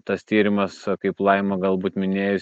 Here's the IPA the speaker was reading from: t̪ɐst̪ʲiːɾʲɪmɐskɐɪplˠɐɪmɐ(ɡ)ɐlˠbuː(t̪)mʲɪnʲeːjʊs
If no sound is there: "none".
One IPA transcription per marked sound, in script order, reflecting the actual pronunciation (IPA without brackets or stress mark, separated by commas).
ɡ, t̪